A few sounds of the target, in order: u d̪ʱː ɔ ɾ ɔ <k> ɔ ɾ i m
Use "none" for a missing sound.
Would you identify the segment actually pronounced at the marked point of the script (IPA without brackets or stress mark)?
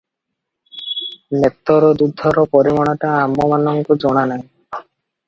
p